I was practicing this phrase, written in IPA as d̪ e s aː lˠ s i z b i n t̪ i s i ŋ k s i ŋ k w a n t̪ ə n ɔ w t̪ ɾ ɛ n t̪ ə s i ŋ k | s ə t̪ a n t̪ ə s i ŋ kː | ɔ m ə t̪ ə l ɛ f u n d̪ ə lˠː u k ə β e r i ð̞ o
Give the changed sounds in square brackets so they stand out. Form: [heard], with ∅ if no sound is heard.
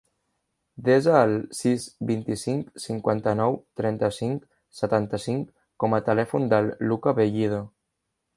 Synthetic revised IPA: d̪ e [z] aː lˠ s i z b i n t̪ i s i ŋ k s i ŋ k w a n t̪ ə n ɔ w t̪ ɾ ɛ n t̪ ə s i ŋ k | s ə t̪ a n t̪ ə s i ŋ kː | ɔ m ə t̪ ə l ɛ f u n d̪ ə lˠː u k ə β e [ʎ] i ð̞ o